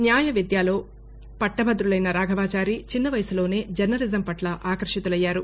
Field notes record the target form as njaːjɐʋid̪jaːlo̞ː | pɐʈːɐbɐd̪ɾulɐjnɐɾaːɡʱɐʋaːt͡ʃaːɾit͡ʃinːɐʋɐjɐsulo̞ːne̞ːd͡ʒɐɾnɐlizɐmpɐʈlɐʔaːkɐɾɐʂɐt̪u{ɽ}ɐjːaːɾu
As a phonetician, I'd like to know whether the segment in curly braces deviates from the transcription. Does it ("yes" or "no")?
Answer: yes